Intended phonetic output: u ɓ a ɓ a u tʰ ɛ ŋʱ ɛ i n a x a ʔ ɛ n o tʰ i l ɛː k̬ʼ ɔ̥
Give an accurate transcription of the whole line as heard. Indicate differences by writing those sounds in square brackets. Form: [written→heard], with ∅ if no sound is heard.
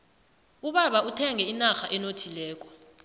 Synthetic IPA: u ɓ a ɓ a u tʰ ɛ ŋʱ ɛ i n a x a ʔ ɛ n o tʰ i l ɛː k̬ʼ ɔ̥